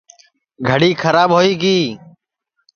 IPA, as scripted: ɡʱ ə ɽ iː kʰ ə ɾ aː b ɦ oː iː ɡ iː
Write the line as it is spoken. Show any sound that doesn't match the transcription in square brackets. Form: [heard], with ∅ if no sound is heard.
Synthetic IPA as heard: ɡʱ ə ɽ iː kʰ ə ɾ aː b ɦ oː iː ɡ iː